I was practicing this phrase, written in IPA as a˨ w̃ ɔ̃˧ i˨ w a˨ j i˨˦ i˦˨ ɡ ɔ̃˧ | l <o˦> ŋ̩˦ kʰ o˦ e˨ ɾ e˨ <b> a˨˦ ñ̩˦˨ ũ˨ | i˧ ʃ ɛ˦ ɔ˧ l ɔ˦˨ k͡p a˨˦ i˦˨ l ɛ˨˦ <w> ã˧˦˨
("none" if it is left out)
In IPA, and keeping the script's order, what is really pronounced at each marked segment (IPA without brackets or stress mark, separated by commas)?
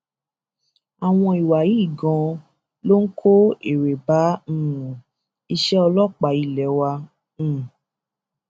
o˦, b, w